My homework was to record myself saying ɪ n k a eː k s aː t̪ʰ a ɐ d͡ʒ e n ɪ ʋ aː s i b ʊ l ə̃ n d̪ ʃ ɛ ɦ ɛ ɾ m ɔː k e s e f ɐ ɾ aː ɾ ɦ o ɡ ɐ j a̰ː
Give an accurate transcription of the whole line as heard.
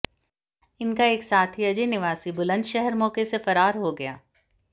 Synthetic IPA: ɪ n k a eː k s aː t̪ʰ i ɐ d͡ʒ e n ɪ ʋ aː s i b ʊ l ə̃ n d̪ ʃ ɛ ɦ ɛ ɾ m ɔː k e s e f ɐ ɾ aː ɾ ɦ o ɡ ɐ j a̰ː